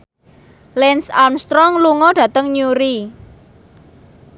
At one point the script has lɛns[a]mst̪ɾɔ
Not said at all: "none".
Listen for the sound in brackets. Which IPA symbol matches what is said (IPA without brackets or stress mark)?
a